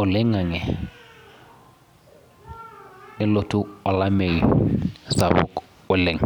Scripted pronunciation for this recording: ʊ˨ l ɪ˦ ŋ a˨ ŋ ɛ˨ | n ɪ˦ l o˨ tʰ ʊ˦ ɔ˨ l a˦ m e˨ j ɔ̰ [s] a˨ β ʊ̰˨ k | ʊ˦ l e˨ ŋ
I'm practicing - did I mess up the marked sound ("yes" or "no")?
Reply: no